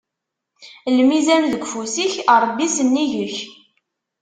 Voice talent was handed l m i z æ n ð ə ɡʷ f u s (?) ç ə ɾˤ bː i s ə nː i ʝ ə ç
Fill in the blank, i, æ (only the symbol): i